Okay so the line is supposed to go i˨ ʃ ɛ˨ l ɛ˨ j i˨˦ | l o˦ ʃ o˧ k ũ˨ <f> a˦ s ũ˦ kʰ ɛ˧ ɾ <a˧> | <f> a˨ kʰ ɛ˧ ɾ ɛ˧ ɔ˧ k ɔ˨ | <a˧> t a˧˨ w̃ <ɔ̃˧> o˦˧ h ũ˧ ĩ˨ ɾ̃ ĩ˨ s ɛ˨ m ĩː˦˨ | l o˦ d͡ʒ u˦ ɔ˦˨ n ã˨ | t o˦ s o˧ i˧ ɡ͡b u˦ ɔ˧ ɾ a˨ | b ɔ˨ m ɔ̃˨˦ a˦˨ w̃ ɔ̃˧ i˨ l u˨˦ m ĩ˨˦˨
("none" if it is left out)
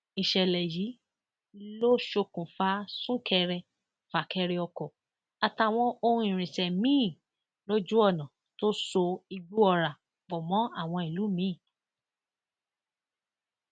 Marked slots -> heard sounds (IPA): f, ɛ˧, f, a˧, ɔ̃˧

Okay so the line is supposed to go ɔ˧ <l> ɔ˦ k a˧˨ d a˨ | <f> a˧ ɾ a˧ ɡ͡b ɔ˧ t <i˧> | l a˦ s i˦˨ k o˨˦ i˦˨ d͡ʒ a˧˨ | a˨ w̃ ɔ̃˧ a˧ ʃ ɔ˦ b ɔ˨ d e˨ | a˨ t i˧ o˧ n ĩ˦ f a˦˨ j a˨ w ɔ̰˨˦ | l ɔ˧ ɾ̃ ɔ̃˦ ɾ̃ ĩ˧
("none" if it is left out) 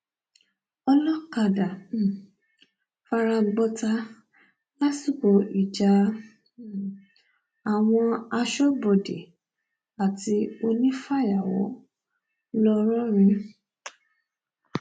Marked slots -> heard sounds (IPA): l, f, a˧

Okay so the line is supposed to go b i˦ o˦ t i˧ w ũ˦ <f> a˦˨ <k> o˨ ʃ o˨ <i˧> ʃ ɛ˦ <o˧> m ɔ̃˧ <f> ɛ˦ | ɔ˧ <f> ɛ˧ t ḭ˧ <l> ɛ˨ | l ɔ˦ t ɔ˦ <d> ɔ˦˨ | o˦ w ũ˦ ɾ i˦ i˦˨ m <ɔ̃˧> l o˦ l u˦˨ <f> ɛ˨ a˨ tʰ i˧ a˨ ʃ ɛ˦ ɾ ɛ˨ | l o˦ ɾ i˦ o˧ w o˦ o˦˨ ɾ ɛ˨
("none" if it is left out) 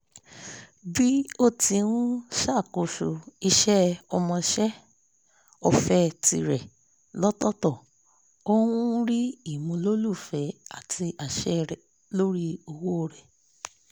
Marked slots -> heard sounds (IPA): ʃ, k, i˧, ɔ˧, ʃ, f, ɾ, t, ũ˧, f

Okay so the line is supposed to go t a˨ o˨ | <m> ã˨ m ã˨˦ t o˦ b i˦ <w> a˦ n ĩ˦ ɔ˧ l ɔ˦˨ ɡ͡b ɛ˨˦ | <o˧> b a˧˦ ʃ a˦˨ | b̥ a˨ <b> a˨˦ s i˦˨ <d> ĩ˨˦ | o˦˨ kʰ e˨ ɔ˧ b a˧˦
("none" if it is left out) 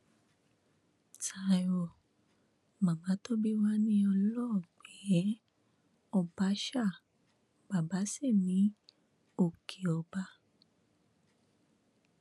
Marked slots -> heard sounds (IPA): m, w, ɔ˧, b, n

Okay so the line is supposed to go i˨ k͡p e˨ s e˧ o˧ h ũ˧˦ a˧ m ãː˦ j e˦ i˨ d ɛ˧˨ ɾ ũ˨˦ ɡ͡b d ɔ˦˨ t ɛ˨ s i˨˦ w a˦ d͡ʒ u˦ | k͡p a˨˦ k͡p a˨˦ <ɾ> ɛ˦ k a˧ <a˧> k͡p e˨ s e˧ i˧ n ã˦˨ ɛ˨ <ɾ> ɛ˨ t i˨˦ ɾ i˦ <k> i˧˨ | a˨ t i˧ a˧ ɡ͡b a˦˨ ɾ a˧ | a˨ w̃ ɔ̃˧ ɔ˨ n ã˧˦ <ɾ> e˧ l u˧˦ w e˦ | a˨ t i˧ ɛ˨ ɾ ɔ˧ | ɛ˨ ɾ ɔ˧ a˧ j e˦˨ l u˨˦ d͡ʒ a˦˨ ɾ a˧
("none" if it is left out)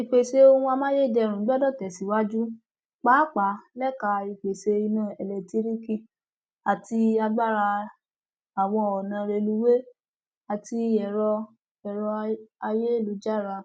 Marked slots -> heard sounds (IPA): l, i˧, l, k, ɾ

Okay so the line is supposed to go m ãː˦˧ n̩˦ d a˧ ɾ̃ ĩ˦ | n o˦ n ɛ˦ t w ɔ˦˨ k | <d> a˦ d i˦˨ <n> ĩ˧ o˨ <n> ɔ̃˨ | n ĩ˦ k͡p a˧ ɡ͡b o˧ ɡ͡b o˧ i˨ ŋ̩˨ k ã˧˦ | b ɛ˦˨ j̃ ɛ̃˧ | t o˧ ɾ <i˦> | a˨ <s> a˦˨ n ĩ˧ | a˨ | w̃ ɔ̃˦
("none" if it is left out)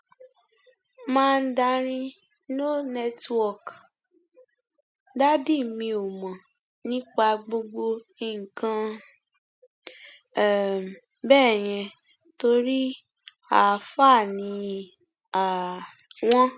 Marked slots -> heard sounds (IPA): d, m, m, i˦, f

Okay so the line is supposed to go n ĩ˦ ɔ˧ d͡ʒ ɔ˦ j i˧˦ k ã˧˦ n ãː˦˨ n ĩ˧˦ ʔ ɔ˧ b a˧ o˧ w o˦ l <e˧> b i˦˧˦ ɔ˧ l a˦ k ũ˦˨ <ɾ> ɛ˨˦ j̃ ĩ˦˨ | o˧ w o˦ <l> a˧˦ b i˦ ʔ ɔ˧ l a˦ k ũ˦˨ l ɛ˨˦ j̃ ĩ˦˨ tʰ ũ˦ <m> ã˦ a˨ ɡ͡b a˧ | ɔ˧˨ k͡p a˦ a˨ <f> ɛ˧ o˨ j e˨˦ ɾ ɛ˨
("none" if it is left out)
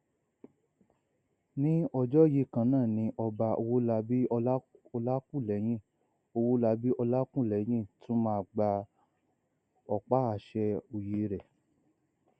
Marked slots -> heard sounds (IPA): a˧, l, l, m, ʃ

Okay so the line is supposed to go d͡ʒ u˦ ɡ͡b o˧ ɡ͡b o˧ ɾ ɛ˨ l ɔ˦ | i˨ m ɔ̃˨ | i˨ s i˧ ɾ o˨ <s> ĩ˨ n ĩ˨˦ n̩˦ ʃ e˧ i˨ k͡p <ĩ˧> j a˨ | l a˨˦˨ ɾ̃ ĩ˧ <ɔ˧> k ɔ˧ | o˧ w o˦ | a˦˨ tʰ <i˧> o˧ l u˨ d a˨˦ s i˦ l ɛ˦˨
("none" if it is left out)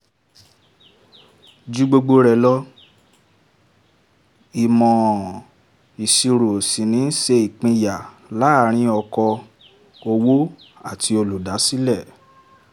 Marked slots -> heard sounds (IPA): s, ĩ˧, ɔ˧, i˧

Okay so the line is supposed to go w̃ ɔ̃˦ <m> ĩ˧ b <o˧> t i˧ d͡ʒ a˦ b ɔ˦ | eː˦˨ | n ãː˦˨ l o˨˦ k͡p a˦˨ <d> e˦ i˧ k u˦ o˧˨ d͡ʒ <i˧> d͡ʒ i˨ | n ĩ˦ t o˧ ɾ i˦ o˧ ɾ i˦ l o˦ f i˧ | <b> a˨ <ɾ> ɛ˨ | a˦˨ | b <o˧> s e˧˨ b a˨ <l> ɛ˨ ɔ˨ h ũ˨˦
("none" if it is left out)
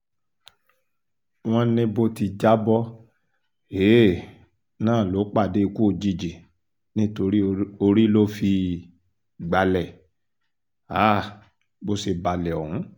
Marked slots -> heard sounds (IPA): n, o˧, d, i˧, ɡ͡b, l, o˧, l

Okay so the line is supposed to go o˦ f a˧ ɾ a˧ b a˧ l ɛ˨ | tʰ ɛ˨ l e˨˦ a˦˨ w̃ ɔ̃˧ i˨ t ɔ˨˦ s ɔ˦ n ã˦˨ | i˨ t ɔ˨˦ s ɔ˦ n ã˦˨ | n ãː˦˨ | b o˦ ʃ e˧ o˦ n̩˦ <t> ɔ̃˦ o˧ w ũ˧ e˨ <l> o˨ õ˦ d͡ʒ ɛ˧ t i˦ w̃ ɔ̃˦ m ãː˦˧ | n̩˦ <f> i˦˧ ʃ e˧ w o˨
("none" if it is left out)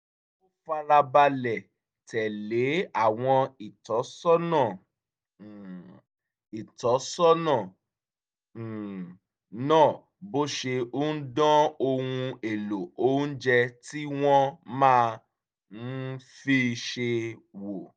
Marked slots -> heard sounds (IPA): d, l, f

